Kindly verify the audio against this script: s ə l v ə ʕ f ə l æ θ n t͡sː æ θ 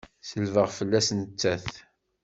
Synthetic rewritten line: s ə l v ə ʁ f ə lː æ s n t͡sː æ θ